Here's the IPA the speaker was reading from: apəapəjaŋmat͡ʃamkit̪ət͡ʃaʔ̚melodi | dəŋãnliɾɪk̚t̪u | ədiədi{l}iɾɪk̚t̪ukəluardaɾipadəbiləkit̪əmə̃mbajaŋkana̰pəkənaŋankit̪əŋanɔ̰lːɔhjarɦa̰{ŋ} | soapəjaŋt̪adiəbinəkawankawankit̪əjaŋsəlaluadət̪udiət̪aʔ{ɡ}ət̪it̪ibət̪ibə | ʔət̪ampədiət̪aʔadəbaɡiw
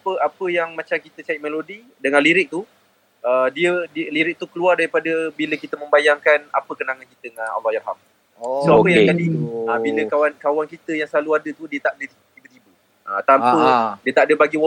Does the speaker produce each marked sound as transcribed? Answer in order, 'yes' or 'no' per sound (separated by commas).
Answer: yes, no, no